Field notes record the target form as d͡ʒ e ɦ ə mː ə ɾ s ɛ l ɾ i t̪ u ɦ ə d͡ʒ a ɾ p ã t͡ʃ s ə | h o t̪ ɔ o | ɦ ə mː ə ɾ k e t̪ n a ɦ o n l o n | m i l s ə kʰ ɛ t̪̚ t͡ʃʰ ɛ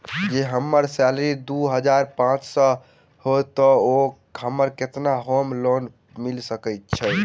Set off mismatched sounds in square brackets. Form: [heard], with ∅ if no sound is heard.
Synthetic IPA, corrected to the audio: d͡ʒ e ɦ ə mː ə ɾ s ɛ l ɾ i [d̪] u ɦ ə d͡ʒ a ɾ p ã t͡ʃ s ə | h o t̪ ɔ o | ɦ ə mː ə ɾ k e t̪ n a ɦ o [m] l o n | m i l s ə [k] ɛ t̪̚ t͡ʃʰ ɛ